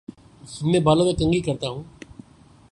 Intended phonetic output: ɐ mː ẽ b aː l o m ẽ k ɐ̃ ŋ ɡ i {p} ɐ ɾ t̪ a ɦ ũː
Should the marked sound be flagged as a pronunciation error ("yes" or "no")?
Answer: yes